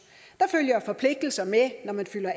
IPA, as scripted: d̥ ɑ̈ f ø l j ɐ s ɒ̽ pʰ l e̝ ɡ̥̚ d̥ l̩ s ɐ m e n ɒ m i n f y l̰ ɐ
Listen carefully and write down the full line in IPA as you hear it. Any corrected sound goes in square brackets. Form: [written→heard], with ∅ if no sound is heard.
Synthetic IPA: d̥ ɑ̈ f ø l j ɐ [s→f] ɒ̽ pʰ l e̝ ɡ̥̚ d̥ l̩ s ɐ m e n ɒ m [i→æ] n f y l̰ ɐ